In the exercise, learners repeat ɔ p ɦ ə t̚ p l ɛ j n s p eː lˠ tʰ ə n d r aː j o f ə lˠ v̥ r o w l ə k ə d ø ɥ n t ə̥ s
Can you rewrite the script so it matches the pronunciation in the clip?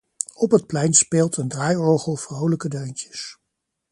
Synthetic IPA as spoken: ɔ p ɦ ə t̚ p l ɛ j n s p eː lˠ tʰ ə n d r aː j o χ ə lˠ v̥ r o w l ə k ə d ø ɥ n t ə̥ s